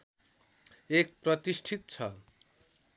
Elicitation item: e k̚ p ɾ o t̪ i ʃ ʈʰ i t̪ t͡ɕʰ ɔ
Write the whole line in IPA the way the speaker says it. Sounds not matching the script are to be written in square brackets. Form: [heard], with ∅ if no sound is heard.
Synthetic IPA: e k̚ p ɾ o t̪ i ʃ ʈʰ i t̪ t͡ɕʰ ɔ